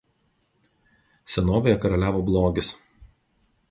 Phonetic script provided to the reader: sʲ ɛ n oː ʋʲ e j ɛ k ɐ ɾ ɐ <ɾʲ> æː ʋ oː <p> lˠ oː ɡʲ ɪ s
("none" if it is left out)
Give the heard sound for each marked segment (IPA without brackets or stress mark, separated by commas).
lʲ, b